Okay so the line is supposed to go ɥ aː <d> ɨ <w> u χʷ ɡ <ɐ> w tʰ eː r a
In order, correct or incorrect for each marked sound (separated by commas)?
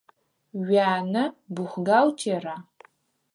incorrect, incorrect, incorrect